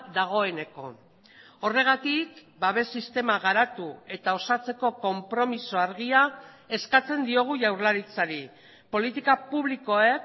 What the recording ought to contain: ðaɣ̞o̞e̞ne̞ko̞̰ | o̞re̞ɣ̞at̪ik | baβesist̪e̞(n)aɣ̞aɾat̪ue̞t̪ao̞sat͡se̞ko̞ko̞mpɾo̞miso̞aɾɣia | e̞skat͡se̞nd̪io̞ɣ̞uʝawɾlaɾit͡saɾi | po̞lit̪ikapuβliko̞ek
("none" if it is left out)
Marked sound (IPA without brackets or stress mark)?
m